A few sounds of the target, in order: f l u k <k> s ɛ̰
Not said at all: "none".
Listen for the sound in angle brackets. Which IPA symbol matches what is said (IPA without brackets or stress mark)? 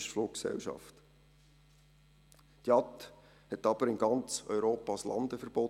k